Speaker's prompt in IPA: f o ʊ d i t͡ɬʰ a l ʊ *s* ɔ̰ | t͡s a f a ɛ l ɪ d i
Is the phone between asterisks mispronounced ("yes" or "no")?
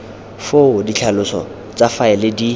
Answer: no